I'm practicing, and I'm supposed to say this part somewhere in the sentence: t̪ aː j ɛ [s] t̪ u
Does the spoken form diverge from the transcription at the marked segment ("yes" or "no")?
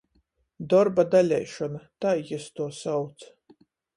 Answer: no